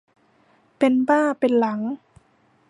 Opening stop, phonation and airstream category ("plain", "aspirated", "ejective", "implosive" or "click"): plain